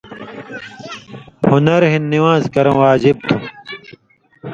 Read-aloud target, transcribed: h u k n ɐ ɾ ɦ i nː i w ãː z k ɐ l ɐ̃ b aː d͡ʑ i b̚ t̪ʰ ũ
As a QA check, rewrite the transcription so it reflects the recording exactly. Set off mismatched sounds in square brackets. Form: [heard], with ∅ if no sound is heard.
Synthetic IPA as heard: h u [∅] n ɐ ɾ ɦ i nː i w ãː z k ɐ [ɾ] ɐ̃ [w] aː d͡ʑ i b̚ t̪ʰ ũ